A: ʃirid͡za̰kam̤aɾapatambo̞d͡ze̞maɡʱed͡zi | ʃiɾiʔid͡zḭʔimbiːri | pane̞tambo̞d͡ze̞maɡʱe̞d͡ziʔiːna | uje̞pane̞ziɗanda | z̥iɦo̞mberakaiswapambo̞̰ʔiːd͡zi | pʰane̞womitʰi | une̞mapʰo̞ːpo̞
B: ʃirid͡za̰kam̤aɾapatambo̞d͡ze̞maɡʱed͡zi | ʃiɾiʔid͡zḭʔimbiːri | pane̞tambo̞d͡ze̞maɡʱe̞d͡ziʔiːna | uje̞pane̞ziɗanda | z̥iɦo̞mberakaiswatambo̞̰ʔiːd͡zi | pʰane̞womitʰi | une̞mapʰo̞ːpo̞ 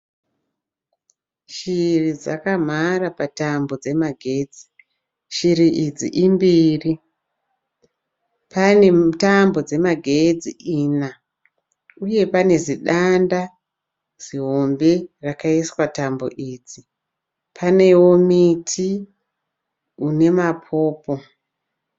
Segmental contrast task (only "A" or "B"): B